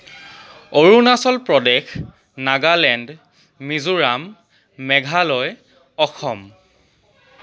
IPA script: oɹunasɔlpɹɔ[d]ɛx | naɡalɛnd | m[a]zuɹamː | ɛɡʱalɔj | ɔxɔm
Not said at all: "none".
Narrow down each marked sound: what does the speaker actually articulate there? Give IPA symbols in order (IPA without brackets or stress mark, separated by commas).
d, i